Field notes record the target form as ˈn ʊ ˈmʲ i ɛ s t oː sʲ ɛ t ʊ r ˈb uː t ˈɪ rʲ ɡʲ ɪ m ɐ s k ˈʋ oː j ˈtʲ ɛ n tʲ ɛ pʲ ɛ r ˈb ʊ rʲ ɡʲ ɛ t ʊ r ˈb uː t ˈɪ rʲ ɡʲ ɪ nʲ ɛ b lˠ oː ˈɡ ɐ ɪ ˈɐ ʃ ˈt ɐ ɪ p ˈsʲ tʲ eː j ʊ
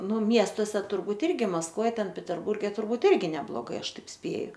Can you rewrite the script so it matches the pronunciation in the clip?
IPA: ˈn ʊ ˈmʲ i ɛ s t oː sʲ ɛ t ʊ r ˈb uː t ˈɪ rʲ ɡʲ ɪ m ɐ s k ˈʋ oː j ˈtʲ ɛ n pʲ ɛ tʲ ɛ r ˈb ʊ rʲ ɡʲ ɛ t ʊ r ˈb uː t ˈɪ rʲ ɡʲ ɪ nʲ ɛ b lˠ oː ˈɡ ɐ ɪ ˈɐ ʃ ˈt ɐ ɪ p ˈsʲ pʲ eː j ʊ